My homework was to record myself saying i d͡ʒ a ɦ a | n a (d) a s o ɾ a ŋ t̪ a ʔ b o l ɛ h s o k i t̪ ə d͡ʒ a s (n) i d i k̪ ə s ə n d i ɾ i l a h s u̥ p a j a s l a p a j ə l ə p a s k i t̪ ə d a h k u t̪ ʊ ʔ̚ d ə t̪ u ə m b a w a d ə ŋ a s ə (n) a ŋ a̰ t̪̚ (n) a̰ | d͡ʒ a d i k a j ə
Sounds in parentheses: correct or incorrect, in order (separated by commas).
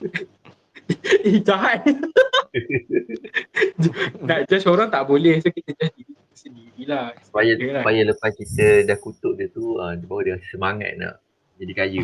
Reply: incorrect, incorrect, incorrect, correct